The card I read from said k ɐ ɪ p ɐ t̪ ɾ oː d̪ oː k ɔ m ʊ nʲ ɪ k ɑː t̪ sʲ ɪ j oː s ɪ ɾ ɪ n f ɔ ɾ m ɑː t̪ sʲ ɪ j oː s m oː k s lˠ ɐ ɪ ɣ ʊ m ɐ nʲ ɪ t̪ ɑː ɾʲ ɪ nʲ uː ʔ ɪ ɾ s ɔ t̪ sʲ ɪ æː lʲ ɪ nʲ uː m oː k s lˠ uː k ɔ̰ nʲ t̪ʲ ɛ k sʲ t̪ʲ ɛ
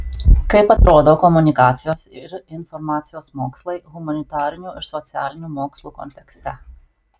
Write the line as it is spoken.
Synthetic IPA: k ɐ ɪ p ɐ t̪ ɾ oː d̪ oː k ɔ m ʊ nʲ ɪ k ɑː t̪ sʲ ɪ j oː s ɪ ɾ ɪ n f ɔ ɾ m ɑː t̪ sʲ ɪ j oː s m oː k s lˠ ɐ ɪ ɣ ʊ m ɐ nʲ ɪ t̪ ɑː ɾʲ ɪ nʲ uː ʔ ɪ ɾ s ɔ t̪ sʲ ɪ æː lʲ ɪ nʲ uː m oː k s lˠ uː k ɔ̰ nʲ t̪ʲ ɛ k sʲ t̪ʲ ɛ